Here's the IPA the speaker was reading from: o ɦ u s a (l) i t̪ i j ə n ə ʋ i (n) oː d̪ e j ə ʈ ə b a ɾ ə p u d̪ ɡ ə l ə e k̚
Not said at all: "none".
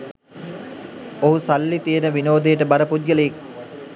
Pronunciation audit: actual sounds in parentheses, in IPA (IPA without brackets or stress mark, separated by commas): lː, n